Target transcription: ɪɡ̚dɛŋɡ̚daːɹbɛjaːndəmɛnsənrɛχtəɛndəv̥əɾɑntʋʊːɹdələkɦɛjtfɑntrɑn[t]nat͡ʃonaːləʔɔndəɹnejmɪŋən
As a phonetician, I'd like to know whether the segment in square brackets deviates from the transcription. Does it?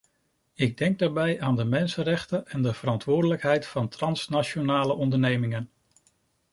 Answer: yes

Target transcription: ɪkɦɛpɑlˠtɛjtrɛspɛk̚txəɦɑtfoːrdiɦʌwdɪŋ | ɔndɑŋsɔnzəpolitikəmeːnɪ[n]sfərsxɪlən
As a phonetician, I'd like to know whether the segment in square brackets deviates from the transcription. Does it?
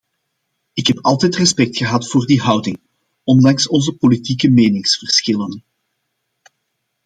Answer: yes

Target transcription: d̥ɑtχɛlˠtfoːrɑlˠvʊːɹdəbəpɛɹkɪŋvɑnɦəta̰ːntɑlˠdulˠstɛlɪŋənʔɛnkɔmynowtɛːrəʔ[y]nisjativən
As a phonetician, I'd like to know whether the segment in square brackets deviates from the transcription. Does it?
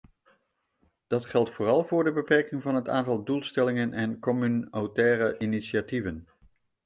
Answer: yes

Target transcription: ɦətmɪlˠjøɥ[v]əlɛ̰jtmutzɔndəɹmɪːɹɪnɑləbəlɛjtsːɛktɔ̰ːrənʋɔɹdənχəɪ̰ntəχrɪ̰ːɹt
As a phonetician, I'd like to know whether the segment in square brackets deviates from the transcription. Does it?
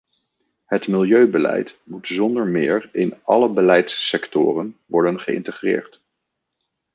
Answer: yes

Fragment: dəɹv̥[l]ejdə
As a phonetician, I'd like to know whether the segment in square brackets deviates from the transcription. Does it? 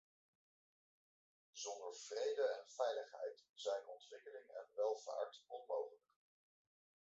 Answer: yes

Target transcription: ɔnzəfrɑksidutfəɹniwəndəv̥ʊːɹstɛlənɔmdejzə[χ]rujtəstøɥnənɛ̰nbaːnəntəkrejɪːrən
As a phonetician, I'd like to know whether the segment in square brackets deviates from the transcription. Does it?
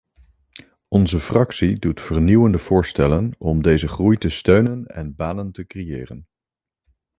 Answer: no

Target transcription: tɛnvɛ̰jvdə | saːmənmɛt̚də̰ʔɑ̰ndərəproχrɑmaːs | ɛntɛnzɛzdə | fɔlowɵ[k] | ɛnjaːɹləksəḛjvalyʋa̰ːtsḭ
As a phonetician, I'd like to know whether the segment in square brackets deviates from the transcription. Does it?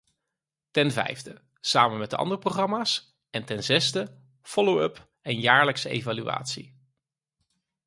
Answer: yes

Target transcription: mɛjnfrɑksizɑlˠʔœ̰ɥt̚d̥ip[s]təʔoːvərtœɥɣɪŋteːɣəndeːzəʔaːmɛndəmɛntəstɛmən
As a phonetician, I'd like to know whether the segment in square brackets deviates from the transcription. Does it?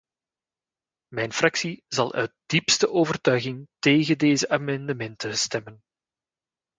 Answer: no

